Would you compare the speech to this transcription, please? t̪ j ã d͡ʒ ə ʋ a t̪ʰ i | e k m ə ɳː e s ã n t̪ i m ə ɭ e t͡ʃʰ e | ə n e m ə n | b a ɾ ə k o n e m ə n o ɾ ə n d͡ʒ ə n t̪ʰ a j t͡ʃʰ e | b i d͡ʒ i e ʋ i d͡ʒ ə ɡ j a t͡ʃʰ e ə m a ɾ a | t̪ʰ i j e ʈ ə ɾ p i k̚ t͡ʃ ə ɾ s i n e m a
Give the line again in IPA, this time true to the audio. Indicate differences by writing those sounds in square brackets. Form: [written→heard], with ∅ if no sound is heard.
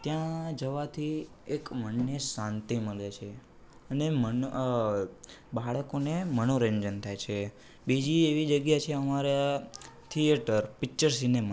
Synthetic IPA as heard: t̪ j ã d͡ʒ ə ʋ a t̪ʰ i | e k m ə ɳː e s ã n t̪ i m ə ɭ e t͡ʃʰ e | ə n e m ə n | b a [ɾ→ɭ] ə k o n e m ə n o ɾ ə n d͡ʒ ə n t̪ʰ a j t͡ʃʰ e | b i d͡ʒ i e ʋ i d͡ʒ ə ɡ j a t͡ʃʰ e ə m a ɾ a | t̪ʰ i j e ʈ ə ɾ p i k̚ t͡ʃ ə ɾ s i n e m a